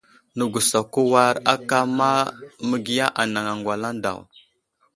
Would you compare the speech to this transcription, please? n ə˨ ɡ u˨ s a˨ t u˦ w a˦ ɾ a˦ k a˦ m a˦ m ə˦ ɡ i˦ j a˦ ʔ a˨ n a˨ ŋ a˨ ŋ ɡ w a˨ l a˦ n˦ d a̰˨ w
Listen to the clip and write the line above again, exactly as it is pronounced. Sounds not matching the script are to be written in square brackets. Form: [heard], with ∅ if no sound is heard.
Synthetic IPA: n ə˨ ɡ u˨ s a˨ [k] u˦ w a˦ ɾ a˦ k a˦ m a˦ m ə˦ ɡ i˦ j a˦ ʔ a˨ n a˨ ŋ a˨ ŋ ɡ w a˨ l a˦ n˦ d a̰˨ w